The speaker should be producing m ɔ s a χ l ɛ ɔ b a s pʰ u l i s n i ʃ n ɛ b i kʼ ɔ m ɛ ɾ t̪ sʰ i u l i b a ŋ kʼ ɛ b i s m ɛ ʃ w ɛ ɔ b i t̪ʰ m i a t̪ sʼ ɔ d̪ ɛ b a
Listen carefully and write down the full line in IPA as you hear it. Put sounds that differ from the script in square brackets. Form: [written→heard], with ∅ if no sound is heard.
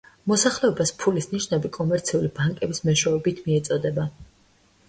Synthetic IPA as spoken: m ɔ s a χ l ɛ ɔ b a s pʰ u l i s n i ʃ n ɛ b i kʼ ɔ m ɛ ɾ t̪ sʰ i u l i b a ŋ kʼ ɛ b i s m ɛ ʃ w ɛ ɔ b i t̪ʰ m i [a→ɛ] t̪ sʼ ɔ d̪ ɛ b a